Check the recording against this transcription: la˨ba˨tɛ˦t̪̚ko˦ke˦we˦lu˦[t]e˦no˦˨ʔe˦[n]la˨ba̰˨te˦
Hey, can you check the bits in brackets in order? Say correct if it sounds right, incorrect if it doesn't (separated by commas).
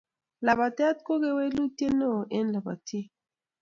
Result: correct, correct